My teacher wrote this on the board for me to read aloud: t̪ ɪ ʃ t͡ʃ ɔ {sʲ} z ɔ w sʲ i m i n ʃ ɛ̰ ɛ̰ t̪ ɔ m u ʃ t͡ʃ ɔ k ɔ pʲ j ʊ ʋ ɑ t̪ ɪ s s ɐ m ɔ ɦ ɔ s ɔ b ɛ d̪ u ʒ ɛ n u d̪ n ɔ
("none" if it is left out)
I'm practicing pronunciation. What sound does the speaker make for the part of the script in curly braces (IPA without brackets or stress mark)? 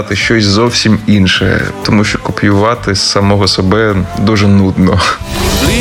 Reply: sʲ